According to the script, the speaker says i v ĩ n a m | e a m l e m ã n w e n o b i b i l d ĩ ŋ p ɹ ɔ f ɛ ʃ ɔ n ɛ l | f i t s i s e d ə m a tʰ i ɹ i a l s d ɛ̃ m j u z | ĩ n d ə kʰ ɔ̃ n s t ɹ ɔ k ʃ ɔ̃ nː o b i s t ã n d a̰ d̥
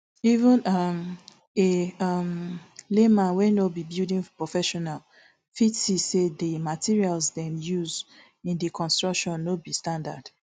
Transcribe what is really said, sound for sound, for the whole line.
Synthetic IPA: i v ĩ n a m | e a m l e m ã n w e n o b i b i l d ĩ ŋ p ɹ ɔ f ɛ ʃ ɔ n a l | f i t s i s e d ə m a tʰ i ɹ i a l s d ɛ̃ m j u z | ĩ n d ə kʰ ɔ̃ n s t ɹ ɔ k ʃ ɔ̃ nː o b i s t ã n d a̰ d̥